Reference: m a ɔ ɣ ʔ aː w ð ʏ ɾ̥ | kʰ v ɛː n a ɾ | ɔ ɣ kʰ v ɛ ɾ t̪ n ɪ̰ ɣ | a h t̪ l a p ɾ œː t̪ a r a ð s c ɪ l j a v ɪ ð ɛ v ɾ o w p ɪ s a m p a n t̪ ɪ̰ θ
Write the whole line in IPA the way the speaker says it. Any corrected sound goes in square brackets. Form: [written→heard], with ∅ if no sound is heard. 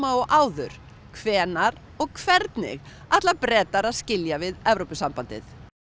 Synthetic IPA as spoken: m a ɔ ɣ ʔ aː w ð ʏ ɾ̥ | kʰ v ɛː n a ɾ | ɔ ɣ kʰ v ɛ ɾ t̪ n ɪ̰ ɣ | a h t̪ l a p ɾ [œː→ɛː] t̪ a [r→ɾ] a ð s c ɪ l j a v ɪ ð ɛ v ɾ o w p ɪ s a m p a n t̪ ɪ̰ θ